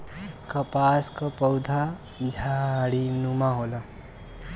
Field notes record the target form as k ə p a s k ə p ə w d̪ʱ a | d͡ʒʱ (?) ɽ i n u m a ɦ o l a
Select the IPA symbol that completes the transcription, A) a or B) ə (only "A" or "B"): A